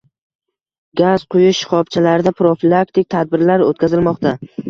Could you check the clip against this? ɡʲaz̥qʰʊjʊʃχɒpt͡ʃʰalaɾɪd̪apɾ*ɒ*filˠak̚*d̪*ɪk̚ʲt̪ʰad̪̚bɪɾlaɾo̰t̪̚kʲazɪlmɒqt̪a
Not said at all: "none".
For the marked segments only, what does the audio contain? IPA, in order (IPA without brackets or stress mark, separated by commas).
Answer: o, t̪